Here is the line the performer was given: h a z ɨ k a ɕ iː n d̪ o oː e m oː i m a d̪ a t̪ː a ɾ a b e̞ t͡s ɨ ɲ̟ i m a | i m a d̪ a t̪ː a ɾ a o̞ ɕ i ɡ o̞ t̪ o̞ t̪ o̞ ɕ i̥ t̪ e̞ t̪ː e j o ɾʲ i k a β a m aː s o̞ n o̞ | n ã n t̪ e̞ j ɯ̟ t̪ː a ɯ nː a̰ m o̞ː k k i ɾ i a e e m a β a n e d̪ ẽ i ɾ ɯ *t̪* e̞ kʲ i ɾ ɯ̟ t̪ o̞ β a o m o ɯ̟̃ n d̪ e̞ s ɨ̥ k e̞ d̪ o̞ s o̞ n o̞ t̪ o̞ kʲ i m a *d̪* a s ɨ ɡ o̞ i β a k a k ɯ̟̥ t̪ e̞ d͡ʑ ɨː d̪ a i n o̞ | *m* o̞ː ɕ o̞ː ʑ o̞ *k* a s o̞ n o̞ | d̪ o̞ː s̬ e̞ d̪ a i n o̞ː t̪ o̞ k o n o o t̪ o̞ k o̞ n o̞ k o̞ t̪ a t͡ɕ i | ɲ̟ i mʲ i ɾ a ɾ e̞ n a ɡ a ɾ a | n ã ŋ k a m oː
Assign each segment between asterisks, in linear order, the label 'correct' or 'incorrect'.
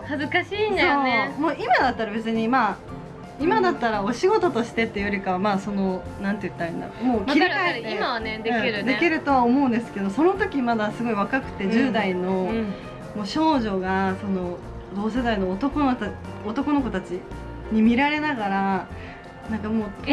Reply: incorrect, correct, correct, incorrect

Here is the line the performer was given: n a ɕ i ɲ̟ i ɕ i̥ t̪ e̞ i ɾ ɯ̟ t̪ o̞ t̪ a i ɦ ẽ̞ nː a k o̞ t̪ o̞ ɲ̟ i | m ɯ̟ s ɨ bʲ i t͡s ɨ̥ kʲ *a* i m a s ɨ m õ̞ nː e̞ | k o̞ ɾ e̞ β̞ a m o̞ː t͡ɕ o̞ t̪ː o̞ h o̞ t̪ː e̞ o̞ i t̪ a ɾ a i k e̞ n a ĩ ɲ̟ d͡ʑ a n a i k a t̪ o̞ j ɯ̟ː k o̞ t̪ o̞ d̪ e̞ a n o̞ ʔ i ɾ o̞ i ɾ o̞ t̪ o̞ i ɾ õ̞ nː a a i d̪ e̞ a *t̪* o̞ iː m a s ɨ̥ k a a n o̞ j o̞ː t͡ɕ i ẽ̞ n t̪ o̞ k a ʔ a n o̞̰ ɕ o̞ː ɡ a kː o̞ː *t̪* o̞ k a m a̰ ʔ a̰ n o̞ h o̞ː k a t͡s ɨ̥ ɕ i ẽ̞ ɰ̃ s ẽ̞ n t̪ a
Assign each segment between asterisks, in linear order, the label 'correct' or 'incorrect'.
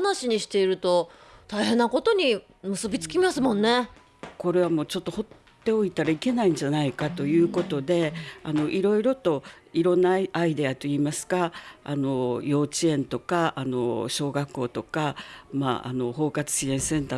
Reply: incorrect, correct, correct

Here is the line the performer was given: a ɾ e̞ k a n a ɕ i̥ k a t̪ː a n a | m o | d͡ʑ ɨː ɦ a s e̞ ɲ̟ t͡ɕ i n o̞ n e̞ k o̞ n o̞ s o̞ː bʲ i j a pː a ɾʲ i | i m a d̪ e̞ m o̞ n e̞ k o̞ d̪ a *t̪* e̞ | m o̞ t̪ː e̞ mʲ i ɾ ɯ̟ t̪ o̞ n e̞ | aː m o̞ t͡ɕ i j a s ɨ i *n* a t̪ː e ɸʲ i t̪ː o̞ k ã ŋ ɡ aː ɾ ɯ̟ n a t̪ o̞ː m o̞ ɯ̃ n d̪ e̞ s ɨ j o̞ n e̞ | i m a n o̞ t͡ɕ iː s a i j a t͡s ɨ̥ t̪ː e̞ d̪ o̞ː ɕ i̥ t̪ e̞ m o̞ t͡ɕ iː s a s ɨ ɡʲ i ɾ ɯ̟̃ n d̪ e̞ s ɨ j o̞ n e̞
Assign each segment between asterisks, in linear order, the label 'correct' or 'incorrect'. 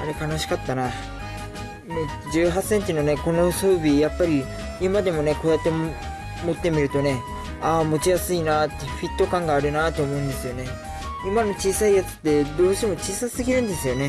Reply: correct, correct

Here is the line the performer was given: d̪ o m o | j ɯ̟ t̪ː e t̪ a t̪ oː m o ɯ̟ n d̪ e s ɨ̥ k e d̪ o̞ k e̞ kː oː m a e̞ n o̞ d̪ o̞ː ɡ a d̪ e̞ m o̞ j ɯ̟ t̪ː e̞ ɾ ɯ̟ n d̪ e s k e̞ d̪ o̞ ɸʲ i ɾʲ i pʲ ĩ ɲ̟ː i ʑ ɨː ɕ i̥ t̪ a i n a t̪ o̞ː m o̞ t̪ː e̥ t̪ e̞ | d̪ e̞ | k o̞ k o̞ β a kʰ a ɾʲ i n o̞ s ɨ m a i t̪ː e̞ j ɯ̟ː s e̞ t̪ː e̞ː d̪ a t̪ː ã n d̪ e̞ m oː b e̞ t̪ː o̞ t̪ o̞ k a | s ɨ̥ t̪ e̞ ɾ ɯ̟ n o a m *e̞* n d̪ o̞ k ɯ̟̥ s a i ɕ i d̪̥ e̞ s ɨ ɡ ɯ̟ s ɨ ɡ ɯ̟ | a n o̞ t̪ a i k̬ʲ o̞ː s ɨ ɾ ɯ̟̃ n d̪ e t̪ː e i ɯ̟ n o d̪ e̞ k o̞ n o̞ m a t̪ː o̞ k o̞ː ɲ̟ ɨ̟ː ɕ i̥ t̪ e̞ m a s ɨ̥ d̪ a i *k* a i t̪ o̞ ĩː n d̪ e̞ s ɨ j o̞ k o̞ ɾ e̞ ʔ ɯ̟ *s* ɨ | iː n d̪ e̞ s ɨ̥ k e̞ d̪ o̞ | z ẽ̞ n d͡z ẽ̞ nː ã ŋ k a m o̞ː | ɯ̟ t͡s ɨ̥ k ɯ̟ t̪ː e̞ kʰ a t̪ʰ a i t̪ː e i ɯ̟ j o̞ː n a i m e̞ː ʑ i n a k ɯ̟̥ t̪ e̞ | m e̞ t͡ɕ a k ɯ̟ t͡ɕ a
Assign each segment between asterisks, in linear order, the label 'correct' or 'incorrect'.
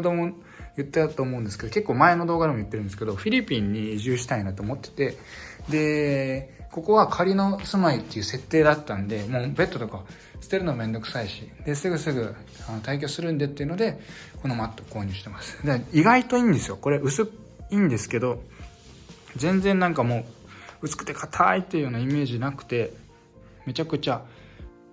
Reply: incorrect, incorrect, correct

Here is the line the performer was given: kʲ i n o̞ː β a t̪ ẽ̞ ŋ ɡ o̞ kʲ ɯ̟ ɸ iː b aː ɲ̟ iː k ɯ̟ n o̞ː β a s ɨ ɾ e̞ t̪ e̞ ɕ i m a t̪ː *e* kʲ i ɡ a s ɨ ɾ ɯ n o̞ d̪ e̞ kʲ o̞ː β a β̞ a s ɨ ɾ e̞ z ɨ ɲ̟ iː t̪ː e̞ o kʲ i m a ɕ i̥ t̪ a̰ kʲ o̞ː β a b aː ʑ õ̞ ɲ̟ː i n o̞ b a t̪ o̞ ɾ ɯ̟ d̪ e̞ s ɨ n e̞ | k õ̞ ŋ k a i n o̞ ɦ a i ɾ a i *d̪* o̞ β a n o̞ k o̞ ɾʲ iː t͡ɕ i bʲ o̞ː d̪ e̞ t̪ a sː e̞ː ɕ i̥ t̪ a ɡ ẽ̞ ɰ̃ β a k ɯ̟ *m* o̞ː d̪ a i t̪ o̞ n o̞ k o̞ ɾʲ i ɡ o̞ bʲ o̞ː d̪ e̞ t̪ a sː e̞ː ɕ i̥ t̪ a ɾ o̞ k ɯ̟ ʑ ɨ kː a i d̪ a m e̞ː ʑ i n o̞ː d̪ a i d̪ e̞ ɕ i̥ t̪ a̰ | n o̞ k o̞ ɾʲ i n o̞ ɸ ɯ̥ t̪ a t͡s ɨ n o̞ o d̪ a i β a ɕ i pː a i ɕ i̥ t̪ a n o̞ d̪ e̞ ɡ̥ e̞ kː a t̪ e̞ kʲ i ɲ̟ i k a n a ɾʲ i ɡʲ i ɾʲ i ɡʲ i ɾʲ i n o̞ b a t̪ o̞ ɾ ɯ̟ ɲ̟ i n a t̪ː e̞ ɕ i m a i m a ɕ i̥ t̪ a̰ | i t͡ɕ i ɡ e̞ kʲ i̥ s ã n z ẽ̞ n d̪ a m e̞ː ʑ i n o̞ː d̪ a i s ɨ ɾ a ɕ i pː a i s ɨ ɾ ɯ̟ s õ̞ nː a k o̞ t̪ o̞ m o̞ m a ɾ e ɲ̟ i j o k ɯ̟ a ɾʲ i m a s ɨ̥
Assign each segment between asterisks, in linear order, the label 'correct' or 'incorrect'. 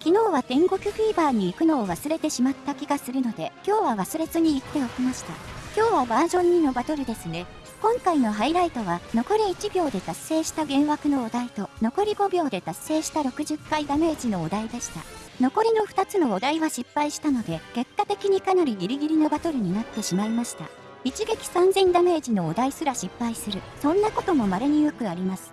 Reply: incorrect, incorrect, incorrect

